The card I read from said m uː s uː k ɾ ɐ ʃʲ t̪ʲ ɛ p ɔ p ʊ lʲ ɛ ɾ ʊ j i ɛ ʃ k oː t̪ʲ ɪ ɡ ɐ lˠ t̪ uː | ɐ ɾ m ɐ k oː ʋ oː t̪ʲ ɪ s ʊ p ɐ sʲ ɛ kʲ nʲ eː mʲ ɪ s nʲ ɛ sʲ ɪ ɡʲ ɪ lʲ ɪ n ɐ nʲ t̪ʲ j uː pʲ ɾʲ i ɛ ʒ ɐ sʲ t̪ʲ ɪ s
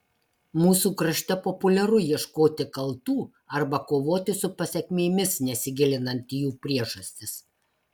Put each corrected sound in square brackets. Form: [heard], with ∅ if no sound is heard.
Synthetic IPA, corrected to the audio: m uː s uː k ɾ ɐ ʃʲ t̪ʲ ɛ p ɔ p ʊ lʲ ɛ ɾ ʊ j i ɛ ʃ k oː t̪ʲ ɪ [k] ɐ lˠ t̪ uː | ɐ ɾ [b] ɐ k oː ʋ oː t̪ʲ ɪ s ʊ p ɐ sʲ ɛ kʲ [mʲ] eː mʲ ɪ s nʲ ɛ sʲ ɪ ɡʲ ɪ lʲ ɪ n ɐ nʲ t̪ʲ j uː pʲ ɾʲ i ɛ ʒ ɐ sʲ t̪ʲ ɪ s